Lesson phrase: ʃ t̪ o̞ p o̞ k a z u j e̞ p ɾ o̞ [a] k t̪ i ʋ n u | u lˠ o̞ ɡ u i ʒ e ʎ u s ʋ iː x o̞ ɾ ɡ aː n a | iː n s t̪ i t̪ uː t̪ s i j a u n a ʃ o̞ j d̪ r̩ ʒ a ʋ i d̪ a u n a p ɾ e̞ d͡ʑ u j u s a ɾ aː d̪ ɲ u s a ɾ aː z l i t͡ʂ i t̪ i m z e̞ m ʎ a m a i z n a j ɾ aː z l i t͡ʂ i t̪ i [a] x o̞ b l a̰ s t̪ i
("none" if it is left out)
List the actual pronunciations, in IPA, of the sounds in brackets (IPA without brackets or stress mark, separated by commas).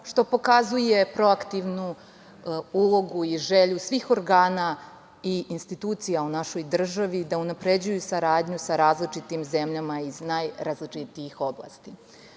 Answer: a, i